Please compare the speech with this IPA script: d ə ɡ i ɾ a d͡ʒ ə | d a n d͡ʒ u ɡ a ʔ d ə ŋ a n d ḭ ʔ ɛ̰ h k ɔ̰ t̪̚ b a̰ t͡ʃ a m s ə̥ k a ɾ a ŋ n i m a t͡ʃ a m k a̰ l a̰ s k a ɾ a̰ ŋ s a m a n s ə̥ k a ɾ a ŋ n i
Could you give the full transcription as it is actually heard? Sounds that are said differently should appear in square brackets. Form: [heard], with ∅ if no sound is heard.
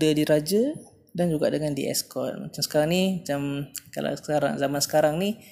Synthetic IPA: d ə [d] i ɾ a d͡ʒ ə | d a n d͡ʒ u ɡ a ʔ d ə ŋ a n d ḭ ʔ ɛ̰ [s] k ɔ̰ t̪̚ [m] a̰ t͡ʃ a m s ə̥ k a ɾ a ŋ n i m a t͡ʃ a m k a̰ l a̰ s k a ɾ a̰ ŋ [z] a m a n s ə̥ k a ɾ a ŋ n i